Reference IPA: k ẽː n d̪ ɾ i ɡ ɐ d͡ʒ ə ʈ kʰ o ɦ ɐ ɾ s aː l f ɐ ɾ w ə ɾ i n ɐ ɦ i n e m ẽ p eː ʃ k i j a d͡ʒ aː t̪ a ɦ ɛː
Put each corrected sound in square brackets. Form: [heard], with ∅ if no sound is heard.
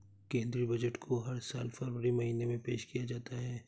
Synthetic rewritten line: k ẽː n d̪ ɾ i [b] ɐ d͡ʒ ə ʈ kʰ o ɦ ɐ ɾ s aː l f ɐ ɾ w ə ɾ i [m] ɐ ɦ [iː] n e m ẽ p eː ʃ k i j a d͡ʒ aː t̪ a ɦ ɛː